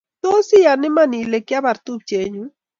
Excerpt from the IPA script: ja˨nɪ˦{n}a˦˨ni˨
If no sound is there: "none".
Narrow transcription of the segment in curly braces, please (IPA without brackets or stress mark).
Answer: m